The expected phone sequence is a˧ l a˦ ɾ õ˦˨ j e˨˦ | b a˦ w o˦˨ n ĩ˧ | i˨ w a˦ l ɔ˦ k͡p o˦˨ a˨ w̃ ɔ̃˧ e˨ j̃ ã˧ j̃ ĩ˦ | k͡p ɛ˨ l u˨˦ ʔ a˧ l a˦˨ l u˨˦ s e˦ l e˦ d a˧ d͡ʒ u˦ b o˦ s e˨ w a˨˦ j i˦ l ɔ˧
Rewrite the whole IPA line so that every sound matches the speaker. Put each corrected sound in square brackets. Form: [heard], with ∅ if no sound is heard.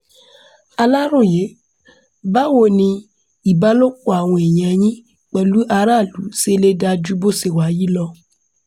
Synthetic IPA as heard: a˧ l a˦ ɾ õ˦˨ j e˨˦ | b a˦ w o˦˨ n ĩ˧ | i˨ [b] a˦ l [o˦] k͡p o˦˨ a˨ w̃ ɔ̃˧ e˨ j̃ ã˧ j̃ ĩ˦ | k͡p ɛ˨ l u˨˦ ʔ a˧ [ɾ] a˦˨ l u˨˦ s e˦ l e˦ d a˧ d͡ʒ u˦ b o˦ s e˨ w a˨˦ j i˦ l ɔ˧